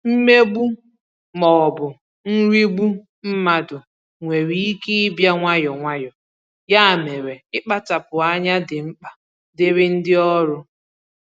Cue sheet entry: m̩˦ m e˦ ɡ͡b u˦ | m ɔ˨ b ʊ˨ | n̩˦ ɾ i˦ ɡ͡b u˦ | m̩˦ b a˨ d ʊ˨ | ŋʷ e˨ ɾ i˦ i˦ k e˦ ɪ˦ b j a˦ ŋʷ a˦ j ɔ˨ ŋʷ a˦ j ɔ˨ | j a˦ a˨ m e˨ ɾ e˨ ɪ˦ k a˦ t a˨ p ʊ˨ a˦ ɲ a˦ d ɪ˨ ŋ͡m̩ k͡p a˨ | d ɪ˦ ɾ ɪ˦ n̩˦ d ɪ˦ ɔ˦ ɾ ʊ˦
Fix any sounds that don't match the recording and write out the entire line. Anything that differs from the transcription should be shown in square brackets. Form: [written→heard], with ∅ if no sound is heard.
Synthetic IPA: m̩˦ m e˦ ɡ͡b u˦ | m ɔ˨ b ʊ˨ | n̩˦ ɾ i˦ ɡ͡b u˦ | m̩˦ [b→m] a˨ d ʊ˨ | ŋʷ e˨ ɾ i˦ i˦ k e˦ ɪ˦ b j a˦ ŋʷ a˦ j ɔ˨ ŋʷ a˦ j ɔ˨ | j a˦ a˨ m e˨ ɾ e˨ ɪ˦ [k→k͡p] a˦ t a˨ p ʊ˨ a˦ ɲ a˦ d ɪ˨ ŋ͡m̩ k͡p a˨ | d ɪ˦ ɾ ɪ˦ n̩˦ d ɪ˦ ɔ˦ ɾ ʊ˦